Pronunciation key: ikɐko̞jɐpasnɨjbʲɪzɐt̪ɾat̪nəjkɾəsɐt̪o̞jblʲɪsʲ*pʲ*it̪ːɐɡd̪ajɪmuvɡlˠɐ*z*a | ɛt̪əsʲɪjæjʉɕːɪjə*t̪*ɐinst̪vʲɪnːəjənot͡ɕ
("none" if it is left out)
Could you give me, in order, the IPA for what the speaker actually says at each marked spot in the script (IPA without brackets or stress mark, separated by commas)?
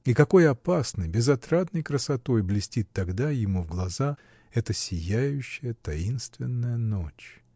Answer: tʲ, z, t̪